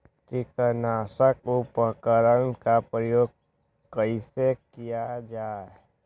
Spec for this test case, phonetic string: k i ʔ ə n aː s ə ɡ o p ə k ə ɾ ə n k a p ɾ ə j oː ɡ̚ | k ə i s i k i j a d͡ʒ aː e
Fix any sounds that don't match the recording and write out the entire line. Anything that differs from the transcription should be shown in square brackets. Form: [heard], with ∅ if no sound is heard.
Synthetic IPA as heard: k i [k] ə n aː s ə [k] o p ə k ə ɾ ə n k a p ɾ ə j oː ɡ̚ | k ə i s [e] k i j a d͡ʒ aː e